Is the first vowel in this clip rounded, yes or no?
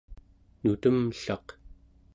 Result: yes